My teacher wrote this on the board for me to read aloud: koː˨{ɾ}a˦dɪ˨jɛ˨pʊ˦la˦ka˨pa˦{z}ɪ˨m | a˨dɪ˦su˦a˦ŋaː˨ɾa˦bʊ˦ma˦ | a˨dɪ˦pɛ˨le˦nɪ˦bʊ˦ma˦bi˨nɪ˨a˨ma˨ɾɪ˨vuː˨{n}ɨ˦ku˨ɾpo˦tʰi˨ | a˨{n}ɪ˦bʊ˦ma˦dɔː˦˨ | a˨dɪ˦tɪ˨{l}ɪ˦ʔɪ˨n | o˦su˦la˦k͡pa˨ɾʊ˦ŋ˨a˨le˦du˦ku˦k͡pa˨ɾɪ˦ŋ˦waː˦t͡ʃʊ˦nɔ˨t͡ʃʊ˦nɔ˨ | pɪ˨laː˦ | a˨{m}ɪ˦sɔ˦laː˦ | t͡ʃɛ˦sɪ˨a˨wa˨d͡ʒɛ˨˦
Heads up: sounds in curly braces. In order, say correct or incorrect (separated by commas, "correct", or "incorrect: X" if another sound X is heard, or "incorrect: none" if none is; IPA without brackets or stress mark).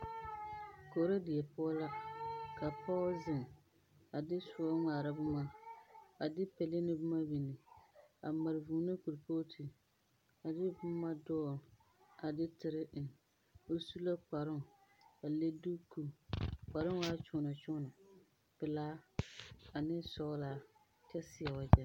correct, correct, correct, incorrect: d, incorrect: ɾ, incorrect: n